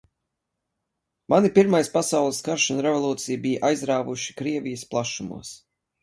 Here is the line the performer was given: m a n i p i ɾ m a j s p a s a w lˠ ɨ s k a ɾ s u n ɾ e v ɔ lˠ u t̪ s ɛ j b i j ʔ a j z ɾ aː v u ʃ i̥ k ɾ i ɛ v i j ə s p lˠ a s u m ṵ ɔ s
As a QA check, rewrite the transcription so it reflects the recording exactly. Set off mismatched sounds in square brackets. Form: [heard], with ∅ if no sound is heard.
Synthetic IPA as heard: m a n i p i ɾ m a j s p a s a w lˠ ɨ s k a ɾ [ʃ] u n ɾ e v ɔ lˠ [uː] t̪ s [i] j b i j ʔ a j z ɾ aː v u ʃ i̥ k ɾ i ɛ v i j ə s p lˠ a [ʃ] u m ṵ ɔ s

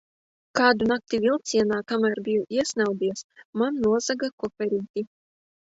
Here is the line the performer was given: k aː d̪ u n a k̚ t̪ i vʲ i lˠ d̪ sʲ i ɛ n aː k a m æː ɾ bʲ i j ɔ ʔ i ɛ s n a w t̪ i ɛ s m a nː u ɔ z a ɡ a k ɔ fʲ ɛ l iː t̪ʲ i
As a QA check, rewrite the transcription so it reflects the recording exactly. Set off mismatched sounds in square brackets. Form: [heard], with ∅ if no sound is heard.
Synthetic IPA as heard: k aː d̪ u n a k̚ t̪ i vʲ i lˠ [t̪] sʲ i ɛ n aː k a m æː ɾ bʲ i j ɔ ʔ i ɛ s n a w [d̪] i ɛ s m a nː u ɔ z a ɡ a k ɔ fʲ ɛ [ɾ] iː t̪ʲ i

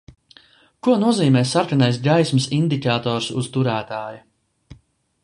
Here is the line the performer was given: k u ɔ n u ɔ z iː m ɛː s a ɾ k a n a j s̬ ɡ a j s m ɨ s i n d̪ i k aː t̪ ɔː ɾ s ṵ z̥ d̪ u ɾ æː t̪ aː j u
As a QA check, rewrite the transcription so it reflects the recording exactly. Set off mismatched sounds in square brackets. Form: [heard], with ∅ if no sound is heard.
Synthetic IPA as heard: k u ɔ n u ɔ z iː m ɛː s a ɾ k a n a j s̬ ɡ a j s m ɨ s i n d̪ i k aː t̪ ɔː ɾ s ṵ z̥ [t̪] u ɾ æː t̪ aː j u

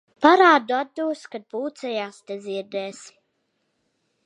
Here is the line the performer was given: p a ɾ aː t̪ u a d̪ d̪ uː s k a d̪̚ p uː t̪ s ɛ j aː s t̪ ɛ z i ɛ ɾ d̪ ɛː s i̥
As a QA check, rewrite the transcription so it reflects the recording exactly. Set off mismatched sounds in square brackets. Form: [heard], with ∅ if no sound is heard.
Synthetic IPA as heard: p a ɾ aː [d̪] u a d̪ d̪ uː s k a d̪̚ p uː t̪ s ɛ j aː s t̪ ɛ z i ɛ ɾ d̪ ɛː s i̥

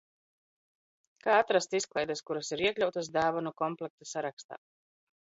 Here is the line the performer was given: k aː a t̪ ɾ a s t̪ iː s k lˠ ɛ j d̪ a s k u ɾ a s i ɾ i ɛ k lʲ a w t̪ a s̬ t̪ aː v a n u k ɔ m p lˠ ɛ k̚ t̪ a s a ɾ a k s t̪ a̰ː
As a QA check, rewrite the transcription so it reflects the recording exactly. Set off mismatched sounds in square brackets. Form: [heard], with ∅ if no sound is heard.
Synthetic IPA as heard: k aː a t̪ ɾ a s t̪ [i] s k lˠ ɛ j d̪ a s k u ɾ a s i ɾ i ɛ k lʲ a w t̪ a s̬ [d̪] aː v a n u k ɔ m p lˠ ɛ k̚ t̪ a s a ɾ a k s t̪ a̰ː

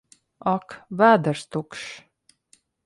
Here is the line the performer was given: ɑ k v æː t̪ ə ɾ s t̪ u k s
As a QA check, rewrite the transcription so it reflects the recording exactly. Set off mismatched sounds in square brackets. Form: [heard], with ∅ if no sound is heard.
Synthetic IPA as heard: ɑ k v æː [d̪] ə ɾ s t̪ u k [ʃ]

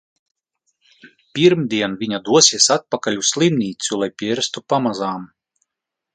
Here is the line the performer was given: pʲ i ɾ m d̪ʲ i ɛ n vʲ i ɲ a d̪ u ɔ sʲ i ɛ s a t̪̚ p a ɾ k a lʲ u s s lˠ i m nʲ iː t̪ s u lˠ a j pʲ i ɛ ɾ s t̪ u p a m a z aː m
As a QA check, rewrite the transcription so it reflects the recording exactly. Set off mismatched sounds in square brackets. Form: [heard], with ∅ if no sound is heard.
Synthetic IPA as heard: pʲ i ɾ m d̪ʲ i ɛ n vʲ i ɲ a d̪ u ɔ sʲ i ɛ s a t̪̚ p a [∅] k a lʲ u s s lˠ i m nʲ iː t̪ s u lˠ a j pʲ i ɛ ɾ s t̪ u p a m a z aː m

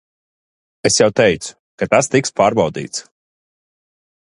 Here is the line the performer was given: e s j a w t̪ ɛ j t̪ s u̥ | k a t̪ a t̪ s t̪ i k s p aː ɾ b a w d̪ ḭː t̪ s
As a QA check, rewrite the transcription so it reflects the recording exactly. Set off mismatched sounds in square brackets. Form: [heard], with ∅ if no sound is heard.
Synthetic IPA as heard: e s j a w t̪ ɛ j t̪ s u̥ | k a t̪ a [∅] s t̪ i k s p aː ɾ b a w d̪ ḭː t̪ s

